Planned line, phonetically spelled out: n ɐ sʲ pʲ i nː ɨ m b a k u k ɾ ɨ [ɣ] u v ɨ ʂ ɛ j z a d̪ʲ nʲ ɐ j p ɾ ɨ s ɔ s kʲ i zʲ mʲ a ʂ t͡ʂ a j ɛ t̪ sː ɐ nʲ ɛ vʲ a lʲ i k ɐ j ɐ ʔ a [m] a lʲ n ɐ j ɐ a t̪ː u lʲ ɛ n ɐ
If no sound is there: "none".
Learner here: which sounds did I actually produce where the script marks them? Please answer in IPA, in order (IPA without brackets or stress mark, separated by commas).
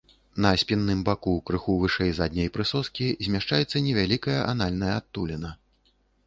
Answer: x, n